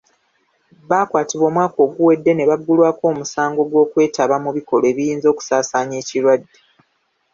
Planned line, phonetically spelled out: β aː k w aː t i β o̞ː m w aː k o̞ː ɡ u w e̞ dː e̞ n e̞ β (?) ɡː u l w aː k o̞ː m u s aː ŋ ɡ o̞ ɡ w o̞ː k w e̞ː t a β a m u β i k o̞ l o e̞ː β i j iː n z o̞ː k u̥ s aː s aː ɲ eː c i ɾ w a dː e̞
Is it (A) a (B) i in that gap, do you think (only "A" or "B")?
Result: A